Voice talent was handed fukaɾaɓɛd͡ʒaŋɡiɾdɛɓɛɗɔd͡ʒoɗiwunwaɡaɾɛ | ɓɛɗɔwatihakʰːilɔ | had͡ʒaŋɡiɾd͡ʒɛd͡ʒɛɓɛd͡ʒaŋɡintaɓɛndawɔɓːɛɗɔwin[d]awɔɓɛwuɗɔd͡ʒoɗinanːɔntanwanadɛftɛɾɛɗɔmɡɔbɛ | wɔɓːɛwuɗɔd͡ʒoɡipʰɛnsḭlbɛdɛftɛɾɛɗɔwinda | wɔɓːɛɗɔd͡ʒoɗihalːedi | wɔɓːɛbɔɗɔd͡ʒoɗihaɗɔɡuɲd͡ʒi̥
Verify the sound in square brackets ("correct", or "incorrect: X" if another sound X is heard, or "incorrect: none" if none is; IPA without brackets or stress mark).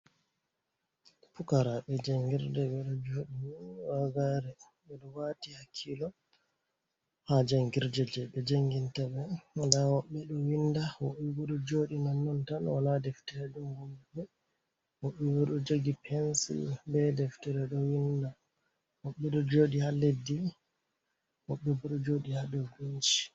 correct